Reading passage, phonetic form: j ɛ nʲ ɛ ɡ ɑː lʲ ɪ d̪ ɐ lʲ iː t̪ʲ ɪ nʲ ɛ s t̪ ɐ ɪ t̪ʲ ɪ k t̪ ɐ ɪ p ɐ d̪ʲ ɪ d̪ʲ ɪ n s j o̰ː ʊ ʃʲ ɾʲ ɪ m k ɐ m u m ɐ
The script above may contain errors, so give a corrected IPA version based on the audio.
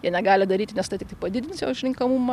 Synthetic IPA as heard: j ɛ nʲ ɛ ɡ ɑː lʲ ɪ d̪ ɐ ɾʲ iː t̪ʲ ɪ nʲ ɛ s t̪ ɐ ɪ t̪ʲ ɪ k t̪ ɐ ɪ p ɐ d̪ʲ ɪ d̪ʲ ɪ n s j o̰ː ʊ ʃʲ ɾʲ ɪ ŋ k ɐ m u m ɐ